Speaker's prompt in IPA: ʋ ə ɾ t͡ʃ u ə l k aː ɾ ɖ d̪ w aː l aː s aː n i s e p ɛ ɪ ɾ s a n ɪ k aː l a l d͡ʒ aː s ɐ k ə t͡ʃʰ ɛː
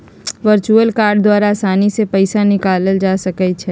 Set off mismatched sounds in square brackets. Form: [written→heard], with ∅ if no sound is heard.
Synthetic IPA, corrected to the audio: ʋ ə ɾ t͡ʃ u ə l k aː ɾ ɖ d̪ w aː [l→ɾ] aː s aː n i s e p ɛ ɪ [ɾ→∅] s a n ɪ k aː l [a→ə] l d͡ʒ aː s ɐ k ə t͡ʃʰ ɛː